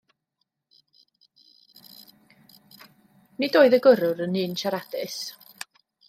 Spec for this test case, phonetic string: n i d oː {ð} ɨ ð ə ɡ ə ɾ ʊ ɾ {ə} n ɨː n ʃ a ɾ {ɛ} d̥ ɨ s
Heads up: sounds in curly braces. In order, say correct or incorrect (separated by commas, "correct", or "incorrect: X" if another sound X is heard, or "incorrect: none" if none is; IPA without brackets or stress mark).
incorrect: none, correct, incorrect: a